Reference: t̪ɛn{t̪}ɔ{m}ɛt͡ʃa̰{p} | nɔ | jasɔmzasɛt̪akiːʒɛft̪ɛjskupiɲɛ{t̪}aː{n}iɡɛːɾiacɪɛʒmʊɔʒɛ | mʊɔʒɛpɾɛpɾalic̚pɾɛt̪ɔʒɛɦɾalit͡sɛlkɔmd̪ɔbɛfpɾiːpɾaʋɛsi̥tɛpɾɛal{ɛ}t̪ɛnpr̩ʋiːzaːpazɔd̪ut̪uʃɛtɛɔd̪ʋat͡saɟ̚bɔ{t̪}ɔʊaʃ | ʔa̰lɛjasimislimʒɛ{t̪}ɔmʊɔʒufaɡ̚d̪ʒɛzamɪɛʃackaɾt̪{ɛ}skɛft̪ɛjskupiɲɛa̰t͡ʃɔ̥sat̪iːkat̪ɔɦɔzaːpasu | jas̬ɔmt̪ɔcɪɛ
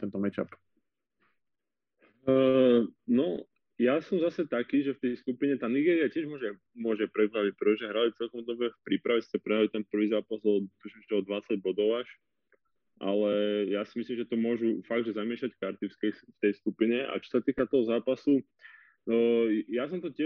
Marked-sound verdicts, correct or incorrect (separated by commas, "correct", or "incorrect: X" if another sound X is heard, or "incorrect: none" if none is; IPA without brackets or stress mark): correct, correct, correct, correct, correct, incorrect: i, incorrect: d̪, correct, incorrect: i